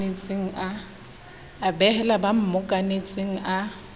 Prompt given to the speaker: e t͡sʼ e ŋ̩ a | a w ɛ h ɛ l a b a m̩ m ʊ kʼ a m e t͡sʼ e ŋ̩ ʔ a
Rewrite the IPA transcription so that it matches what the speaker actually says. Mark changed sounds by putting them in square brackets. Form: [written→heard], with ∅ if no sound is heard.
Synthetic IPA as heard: e t͡sʼ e ŋ̩ a | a [w→b] ɛ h ɛ l a b a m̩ m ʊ kʼ a [m→n] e t͡sʼ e ŋ̩ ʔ a